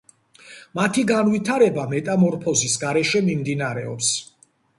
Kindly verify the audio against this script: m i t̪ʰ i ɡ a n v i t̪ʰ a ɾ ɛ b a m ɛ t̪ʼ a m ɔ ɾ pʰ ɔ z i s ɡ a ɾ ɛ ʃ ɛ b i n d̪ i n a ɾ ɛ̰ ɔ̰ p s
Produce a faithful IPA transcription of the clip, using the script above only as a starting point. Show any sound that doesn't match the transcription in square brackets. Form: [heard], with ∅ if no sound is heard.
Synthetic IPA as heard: m [a] t̪ʰ i ɡ a n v i t̪ʰ a ɾ ɛ b a m ɛ t̪ʼ a m ɔ ɾ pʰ ɔ z i s ɡ a ɾ ɛ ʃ ɛ [m] i [m] d̪ i n a ɾ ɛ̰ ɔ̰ p s